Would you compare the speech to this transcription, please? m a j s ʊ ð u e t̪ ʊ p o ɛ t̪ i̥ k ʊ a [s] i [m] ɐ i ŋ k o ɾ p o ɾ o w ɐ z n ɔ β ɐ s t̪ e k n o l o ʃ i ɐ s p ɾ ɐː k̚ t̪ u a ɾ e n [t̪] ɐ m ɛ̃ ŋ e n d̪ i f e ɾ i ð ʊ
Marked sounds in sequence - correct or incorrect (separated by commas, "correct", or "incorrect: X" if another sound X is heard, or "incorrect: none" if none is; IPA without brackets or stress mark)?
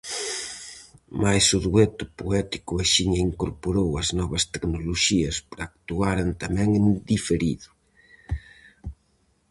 incorrect: ʃ, incorrect: ɲ, correct